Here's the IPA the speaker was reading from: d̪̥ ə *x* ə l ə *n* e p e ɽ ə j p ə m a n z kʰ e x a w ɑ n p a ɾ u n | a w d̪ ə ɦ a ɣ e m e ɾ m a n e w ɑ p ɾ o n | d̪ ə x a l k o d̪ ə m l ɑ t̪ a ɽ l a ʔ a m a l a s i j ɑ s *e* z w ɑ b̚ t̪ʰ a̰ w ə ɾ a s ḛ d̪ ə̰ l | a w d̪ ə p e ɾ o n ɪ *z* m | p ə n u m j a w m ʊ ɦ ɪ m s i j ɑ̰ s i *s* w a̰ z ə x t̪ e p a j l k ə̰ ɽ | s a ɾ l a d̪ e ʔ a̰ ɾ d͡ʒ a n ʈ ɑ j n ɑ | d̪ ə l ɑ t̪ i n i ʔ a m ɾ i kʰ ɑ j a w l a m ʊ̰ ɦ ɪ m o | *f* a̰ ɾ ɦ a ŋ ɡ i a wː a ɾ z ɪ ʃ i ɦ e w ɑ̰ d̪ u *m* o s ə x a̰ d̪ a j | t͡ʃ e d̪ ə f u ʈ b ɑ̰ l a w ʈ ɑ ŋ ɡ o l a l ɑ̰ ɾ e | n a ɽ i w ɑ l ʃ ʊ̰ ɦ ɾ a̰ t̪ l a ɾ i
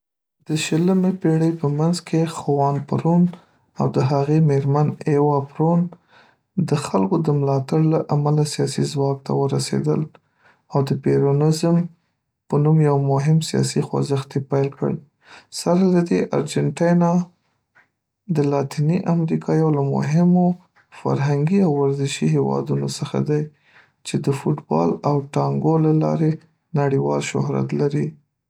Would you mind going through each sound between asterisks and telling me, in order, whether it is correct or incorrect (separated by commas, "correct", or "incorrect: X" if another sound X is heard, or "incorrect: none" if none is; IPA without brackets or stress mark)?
incorrect: ʃ, incorrect: m, incorrect: i, correct, incorrect: x, correct, incorrect: n